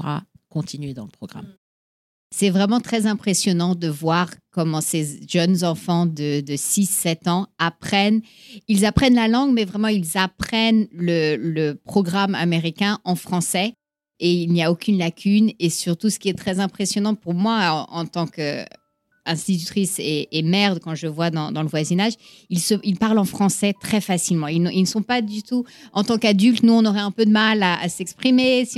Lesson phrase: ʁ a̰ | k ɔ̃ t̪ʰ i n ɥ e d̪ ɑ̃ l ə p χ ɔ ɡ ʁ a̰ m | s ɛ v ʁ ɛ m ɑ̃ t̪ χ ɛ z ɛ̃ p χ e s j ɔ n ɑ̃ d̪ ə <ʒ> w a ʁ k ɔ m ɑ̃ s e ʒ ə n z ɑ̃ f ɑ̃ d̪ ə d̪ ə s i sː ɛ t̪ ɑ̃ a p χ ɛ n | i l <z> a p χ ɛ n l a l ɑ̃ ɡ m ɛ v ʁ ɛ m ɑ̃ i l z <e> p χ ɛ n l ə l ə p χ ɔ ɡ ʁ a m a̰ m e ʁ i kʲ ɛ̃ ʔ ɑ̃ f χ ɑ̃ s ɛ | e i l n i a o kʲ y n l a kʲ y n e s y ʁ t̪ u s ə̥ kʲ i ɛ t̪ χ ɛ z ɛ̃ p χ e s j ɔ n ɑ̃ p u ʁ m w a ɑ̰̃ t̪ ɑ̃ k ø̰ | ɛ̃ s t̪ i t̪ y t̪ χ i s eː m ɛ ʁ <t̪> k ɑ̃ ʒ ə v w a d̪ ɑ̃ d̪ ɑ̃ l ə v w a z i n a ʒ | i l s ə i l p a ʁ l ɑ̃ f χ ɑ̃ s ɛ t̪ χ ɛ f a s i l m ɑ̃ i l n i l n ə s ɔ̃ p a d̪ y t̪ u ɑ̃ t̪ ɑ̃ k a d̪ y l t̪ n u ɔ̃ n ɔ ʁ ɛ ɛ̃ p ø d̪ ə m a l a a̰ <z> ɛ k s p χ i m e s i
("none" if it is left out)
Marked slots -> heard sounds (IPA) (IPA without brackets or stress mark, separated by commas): v, z, a, d̪, s